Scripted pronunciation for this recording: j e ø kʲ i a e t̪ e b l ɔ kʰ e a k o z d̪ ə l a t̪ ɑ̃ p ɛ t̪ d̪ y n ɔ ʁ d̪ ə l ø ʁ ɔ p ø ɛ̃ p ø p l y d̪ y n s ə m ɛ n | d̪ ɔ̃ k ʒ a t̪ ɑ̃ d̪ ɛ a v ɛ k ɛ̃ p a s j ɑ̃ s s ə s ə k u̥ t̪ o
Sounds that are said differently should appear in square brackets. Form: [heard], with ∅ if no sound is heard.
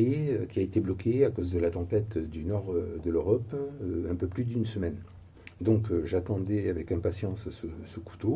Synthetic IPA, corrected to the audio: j e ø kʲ i a e t̪ e b l ɔ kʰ e a k o z d̪ ə l a t̪ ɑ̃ p ɛ t̪ d̪ y n ɔ ʁ d̪ ə l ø ʁ ɔ p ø ɛ̃ p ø p l y d̪ y n s ə m ɛ n | d̪ ɔ̃ k ʒ a t̪ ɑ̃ d̪ ɛ a v ɛ k ɛ̃ p a s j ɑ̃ s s ə s ə k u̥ t̪ o